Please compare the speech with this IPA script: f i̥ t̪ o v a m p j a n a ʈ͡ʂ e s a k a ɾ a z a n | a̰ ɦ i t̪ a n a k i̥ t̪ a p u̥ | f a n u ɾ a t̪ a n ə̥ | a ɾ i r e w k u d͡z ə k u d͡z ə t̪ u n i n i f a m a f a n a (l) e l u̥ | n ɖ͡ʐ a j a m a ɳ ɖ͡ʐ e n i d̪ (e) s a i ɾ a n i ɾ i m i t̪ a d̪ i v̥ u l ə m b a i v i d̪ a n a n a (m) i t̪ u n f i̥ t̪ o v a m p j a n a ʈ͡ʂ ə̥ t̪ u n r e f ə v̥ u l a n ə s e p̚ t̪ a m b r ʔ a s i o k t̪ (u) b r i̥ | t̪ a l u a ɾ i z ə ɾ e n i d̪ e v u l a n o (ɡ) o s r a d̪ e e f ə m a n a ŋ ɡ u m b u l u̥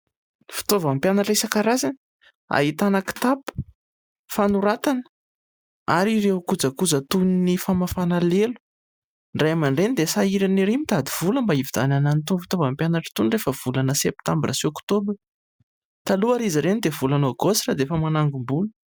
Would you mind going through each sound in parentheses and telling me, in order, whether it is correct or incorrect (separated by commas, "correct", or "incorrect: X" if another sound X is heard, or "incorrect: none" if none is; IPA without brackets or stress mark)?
correct, correct, incorrect: n, incorrect: o, correct